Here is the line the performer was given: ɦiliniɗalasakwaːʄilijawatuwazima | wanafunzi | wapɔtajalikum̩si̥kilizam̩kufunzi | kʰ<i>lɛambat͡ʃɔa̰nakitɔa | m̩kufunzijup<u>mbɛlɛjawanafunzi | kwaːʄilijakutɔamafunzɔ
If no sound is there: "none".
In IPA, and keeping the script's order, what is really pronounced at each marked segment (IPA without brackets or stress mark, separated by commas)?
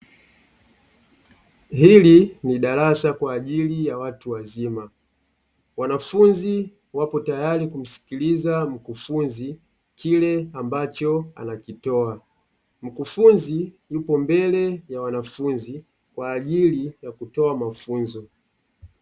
i, ɔ